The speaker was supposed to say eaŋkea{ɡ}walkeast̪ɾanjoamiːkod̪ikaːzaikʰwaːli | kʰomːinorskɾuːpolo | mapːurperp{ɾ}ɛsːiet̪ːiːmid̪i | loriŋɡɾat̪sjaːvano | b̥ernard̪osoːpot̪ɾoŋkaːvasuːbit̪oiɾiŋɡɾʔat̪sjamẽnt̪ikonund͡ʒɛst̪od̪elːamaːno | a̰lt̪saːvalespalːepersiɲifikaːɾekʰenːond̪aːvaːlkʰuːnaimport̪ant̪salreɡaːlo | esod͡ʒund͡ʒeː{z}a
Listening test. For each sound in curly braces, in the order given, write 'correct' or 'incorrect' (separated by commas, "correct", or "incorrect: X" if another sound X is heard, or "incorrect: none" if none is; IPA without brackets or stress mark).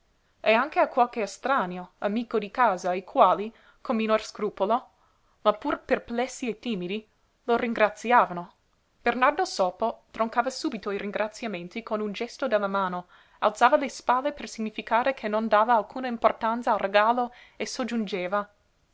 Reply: incorrect: k, incorrect: l, incorrect: v